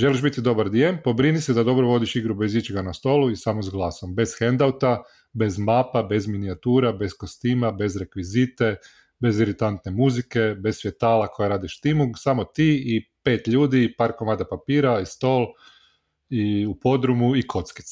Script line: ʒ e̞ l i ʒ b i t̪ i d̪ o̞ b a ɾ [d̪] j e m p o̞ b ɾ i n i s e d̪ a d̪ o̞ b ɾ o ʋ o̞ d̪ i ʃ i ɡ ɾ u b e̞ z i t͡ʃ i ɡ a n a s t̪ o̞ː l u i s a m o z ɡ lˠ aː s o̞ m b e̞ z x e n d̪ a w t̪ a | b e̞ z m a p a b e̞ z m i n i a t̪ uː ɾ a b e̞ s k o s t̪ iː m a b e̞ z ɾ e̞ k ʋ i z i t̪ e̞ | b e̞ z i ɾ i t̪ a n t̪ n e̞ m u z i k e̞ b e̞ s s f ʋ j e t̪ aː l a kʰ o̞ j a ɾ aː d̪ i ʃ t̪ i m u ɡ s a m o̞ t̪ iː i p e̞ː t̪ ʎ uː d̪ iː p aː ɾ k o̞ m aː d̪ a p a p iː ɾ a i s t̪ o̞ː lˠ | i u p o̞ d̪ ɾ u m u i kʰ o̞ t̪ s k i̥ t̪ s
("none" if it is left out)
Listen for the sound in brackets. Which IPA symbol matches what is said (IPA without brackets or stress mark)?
d̪